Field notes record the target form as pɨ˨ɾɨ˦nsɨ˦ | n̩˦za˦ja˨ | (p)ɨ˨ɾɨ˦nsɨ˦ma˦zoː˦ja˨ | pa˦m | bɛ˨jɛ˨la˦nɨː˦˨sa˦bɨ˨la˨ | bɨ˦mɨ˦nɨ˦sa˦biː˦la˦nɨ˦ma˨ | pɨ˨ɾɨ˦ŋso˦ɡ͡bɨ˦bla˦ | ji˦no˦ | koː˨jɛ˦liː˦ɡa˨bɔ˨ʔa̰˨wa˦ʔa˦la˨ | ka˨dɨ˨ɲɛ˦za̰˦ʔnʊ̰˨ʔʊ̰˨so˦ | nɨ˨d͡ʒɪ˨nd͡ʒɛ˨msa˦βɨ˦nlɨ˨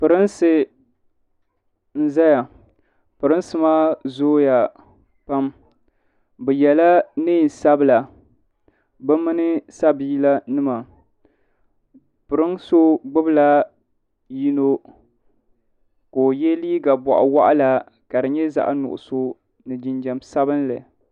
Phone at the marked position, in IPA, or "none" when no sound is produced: p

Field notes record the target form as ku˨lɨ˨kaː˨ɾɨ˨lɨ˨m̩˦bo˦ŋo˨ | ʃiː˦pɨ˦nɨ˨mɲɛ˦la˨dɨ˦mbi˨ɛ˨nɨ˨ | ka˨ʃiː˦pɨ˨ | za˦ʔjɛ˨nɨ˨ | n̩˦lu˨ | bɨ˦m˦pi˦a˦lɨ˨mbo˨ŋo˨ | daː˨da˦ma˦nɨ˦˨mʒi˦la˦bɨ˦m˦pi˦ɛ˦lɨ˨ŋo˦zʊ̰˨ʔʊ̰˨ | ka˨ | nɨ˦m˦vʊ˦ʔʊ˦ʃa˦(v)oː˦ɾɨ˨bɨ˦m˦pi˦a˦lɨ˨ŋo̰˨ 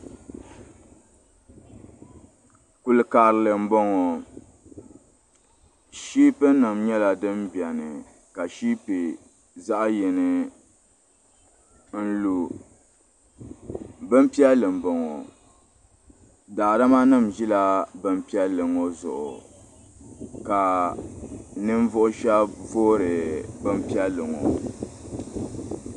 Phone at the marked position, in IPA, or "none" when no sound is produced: v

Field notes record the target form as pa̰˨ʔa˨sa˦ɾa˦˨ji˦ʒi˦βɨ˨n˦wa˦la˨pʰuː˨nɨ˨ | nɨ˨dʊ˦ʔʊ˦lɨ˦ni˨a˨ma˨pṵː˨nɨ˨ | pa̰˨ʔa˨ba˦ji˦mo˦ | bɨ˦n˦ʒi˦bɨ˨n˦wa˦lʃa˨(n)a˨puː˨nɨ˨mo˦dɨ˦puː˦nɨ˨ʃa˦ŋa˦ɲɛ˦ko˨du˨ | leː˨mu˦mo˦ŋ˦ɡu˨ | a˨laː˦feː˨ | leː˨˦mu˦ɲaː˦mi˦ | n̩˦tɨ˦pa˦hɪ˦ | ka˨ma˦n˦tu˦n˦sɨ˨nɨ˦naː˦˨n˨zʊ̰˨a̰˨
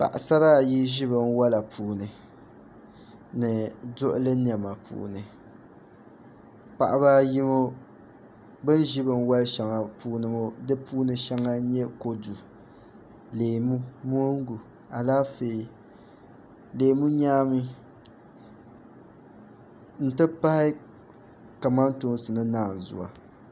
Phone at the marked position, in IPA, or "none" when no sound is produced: ŋ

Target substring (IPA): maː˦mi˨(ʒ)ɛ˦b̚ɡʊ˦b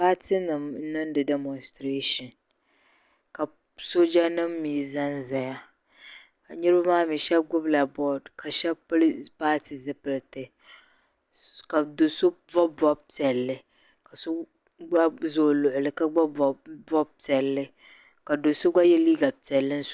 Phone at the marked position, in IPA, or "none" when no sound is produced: ʃ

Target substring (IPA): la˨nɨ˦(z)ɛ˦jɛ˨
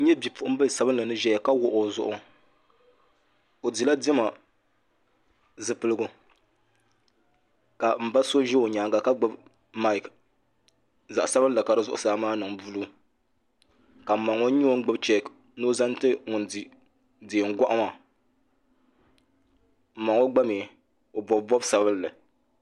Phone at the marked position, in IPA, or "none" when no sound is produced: ʒ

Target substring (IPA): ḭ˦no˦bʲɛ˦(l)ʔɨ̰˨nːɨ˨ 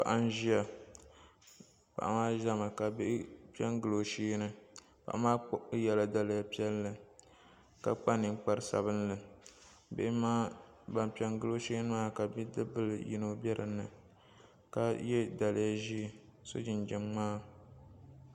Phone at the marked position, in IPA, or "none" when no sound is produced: ɾ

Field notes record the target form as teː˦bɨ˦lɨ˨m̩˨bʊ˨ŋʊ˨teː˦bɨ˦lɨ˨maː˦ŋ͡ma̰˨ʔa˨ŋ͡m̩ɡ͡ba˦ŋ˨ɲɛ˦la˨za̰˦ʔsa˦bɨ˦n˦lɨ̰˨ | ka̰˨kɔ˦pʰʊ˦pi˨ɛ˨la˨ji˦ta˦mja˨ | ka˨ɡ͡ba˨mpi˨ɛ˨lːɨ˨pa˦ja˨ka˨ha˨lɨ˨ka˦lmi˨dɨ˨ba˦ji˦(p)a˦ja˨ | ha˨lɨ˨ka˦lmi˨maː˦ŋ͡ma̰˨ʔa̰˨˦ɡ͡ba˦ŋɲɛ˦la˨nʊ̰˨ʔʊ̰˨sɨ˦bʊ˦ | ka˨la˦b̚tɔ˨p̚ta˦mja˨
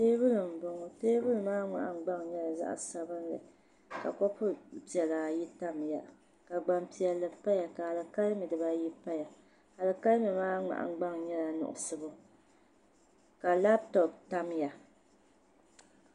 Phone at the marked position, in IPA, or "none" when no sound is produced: p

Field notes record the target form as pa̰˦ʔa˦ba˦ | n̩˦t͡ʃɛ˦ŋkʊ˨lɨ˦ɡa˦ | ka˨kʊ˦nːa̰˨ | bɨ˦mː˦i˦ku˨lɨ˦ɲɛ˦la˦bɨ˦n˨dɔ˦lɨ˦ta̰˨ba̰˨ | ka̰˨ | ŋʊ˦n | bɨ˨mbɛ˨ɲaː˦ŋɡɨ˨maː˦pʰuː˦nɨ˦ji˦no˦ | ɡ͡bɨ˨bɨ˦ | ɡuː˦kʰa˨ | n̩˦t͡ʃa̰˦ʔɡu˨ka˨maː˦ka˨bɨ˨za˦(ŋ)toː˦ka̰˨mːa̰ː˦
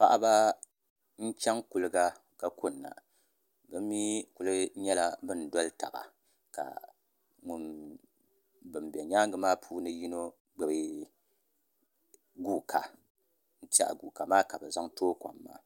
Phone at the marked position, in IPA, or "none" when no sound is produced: ŋ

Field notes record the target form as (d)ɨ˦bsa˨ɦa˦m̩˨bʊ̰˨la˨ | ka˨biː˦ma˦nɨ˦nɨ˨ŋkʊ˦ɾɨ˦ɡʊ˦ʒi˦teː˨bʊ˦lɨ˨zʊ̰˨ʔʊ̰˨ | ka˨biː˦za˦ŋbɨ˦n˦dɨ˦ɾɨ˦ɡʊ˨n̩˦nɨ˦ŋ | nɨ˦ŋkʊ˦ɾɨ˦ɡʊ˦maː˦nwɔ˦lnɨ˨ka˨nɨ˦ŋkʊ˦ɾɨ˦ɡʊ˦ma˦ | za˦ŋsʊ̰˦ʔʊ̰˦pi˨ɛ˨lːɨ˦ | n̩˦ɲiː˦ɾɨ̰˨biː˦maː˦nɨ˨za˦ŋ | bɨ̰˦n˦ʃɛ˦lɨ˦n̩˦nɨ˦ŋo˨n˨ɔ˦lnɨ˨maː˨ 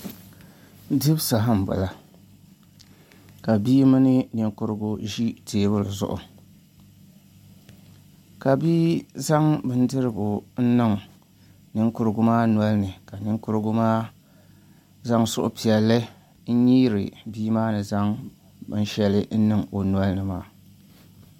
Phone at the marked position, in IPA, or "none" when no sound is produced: d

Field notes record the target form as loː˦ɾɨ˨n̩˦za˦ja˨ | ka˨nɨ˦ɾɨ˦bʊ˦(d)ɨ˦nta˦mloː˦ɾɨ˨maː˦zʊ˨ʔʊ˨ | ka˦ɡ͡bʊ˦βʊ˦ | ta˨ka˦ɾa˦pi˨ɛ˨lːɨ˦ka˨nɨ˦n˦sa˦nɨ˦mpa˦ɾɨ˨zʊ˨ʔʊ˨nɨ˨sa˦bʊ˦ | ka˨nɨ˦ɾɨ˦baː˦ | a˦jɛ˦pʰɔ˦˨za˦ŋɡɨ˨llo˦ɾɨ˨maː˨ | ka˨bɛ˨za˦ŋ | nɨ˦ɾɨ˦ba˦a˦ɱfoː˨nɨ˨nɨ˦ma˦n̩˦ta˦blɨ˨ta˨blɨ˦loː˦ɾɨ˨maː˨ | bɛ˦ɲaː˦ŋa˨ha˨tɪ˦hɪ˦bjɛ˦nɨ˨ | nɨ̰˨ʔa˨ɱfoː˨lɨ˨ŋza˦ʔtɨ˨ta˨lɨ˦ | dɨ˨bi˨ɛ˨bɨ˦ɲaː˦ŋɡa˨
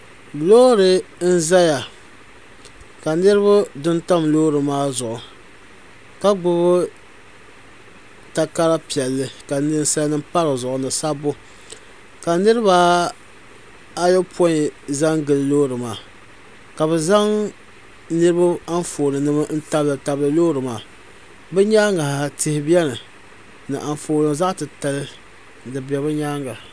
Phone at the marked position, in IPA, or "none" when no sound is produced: d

